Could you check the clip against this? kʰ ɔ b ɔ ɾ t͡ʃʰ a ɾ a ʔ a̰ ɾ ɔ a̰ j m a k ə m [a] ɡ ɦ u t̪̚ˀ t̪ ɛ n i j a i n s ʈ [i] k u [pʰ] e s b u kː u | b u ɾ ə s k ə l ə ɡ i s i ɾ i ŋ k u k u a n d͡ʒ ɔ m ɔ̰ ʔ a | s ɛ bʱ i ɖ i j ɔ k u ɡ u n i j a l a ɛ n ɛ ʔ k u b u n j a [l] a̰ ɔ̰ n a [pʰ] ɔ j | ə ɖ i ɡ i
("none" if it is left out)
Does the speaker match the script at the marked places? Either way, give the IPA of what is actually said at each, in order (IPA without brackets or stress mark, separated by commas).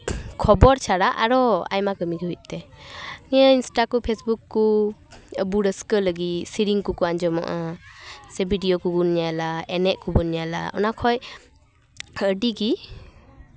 i, a, pʰ, l, kʰ